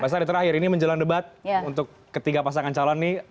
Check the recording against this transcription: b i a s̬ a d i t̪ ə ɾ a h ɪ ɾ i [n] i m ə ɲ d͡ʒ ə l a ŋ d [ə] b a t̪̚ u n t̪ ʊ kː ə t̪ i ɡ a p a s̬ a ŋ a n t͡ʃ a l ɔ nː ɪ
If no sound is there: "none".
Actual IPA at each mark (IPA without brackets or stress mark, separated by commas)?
n, ə